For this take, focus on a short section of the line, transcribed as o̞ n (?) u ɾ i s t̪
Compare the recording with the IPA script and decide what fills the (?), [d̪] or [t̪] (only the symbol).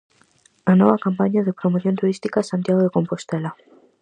t̪